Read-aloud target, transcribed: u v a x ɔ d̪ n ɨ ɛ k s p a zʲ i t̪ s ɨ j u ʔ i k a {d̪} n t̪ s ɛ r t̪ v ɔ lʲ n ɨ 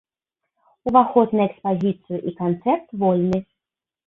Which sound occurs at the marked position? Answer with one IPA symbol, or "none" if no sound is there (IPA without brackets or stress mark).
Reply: none